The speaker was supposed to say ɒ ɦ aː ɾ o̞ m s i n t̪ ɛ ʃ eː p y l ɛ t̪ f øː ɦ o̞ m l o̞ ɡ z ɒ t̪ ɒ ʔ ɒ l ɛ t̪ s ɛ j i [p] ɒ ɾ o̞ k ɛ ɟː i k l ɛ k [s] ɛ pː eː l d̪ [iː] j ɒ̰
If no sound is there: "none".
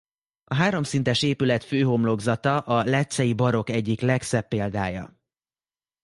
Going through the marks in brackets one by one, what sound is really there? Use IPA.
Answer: b, s, aː

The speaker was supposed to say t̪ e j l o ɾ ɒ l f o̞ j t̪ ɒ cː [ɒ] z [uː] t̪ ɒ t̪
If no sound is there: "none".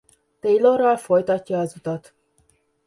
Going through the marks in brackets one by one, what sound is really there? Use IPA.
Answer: ɒː, u

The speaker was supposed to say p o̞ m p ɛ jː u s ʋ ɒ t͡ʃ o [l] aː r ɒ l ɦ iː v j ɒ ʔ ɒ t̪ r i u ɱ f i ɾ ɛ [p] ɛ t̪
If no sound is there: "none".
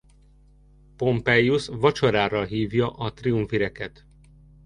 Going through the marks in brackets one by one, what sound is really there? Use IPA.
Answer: ɾ, k

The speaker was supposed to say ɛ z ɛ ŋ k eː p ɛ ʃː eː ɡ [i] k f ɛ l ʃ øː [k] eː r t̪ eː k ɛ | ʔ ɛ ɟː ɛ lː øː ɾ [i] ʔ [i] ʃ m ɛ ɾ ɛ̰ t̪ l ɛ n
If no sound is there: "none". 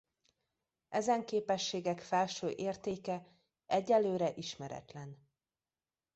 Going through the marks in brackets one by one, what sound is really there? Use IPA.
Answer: ɛ, ʔ, ɛ, i

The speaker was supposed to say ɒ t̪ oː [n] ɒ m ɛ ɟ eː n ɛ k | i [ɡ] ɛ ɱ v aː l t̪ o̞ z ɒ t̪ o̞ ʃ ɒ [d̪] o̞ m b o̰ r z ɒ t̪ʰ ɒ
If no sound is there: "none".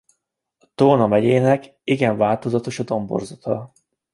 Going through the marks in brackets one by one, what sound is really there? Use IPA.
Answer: n, ɡ, d̪

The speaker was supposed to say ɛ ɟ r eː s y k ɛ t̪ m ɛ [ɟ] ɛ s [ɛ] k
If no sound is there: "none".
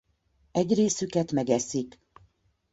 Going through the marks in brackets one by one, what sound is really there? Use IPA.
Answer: ɡ, i

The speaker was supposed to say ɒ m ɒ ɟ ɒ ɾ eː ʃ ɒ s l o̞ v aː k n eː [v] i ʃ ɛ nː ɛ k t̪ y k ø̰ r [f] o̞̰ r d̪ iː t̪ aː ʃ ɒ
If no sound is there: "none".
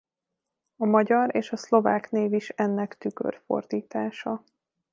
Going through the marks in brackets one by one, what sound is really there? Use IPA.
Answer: v, f

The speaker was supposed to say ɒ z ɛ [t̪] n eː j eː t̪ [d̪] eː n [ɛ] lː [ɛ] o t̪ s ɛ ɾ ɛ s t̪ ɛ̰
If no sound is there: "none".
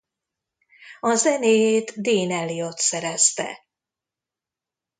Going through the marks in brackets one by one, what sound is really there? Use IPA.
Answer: none, d̪, ɛ, i

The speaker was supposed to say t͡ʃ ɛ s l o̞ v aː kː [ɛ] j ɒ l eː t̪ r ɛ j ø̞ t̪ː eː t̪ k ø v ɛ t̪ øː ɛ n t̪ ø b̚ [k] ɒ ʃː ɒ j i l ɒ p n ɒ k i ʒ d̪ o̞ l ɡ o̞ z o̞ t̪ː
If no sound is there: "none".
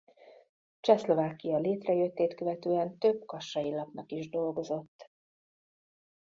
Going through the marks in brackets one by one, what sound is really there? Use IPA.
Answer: i, k

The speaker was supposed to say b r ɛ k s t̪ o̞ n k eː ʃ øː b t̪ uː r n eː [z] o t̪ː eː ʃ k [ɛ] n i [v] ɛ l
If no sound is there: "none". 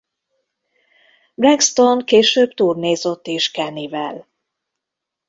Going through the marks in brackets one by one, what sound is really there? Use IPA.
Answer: z, ɛ, v

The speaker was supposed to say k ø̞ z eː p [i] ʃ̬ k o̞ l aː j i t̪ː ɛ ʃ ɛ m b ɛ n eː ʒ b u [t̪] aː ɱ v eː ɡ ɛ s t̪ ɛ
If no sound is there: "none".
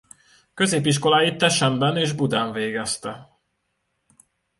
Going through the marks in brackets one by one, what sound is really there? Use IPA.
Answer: i, d̪

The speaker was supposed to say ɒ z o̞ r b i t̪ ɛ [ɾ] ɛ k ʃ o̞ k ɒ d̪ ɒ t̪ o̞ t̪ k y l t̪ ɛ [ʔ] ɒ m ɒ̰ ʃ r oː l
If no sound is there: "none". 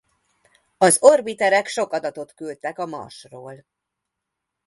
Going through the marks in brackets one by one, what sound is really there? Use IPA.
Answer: ɾ, k

